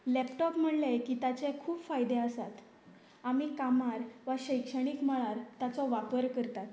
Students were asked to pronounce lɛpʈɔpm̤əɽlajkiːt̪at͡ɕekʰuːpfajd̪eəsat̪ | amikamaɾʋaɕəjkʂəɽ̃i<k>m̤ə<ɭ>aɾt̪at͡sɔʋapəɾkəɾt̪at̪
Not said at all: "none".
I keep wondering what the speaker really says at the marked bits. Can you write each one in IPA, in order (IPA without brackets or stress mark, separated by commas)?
k, ɭ